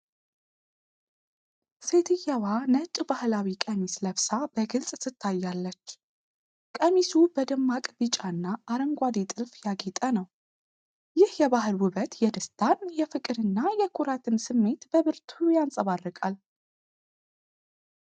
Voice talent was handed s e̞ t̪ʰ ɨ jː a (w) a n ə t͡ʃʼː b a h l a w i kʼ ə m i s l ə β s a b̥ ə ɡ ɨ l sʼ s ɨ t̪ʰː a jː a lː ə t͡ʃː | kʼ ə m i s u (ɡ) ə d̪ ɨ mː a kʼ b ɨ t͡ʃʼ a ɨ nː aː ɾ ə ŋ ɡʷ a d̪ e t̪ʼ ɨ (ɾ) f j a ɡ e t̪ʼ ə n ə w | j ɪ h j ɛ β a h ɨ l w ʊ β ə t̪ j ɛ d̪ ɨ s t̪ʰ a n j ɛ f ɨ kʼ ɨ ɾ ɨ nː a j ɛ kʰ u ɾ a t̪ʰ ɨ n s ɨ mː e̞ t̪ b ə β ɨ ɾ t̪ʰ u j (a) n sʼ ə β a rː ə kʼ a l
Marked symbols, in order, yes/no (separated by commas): yes, no, no, yes